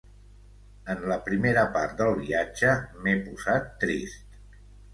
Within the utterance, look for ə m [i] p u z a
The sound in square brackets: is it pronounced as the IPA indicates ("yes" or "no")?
no